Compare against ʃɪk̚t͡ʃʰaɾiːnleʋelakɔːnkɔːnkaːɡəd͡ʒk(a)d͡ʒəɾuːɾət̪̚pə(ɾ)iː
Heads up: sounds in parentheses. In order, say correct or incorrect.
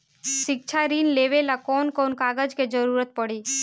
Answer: incorrect: e, incorrect: ɽ

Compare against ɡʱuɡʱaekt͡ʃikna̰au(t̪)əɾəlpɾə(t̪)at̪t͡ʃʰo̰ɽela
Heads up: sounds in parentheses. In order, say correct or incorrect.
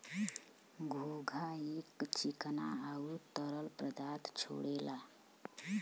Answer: correct, incorrect: d̪

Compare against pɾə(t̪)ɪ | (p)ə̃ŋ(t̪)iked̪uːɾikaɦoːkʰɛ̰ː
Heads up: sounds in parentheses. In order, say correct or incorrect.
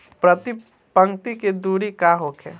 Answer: correct, correct, correct

